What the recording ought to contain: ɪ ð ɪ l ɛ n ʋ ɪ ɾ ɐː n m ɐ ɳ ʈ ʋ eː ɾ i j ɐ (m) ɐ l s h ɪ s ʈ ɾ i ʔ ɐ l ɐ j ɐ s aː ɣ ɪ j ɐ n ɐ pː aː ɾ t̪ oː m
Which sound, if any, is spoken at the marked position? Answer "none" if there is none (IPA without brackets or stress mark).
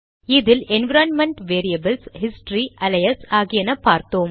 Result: b